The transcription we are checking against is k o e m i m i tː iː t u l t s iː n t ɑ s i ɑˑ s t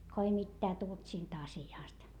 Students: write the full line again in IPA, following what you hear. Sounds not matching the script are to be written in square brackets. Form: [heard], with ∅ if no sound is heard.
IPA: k o e [∅] i m i tː [æː] t u l t s iː n t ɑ s i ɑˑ s t